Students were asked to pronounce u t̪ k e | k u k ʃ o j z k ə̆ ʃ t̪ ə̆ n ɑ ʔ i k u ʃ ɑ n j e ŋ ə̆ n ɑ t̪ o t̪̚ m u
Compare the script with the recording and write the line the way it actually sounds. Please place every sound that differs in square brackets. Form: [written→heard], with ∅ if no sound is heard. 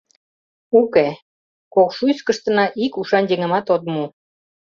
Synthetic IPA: u [t̪→∅] k e | k [u→o] k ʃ [o→u] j [z→s] k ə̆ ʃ t̪ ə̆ n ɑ ʔ i k u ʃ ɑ n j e ŋ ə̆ [n→m] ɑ t̪ o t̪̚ m u